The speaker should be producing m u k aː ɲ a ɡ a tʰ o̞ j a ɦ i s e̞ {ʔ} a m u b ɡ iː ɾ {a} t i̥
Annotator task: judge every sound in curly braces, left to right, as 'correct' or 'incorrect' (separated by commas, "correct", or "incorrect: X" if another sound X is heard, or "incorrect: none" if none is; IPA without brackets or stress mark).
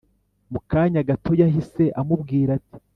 correct, correct